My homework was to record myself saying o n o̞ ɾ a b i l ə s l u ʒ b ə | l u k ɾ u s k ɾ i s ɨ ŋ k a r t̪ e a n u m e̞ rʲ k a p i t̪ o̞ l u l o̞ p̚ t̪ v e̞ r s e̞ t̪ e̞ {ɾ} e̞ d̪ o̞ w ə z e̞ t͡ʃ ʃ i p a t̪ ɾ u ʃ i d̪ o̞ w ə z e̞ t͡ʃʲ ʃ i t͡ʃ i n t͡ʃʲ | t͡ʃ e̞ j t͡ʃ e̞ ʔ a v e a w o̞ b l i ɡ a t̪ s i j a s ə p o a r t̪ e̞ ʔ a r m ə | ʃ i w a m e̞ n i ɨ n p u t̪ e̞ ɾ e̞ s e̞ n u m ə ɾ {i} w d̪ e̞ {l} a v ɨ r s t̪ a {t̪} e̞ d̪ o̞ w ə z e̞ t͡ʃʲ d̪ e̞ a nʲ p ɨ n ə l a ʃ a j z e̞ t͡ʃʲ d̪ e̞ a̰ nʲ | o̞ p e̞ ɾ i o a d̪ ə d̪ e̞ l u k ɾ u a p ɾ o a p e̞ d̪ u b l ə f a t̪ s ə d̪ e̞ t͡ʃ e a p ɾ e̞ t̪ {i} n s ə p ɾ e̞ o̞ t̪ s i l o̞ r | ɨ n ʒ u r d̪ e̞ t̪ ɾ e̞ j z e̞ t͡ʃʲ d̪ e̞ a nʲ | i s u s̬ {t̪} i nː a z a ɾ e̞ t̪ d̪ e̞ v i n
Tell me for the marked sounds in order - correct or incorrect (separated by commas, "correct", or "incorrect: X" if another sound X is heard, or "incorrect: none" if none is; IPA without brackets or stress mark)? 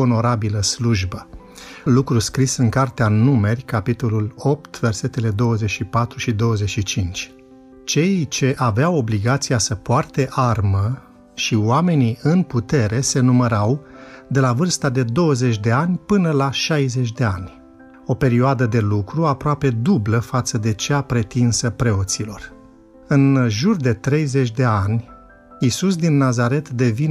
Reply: incorrect: l, incorrect: a, correct, incorrect: d̪, correct, incorrect: d̪